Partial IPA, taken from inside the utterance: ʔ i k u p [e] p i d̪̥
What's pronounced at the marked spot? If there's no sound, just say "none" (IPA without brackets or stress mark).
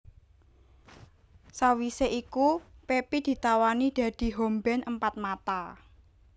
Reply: e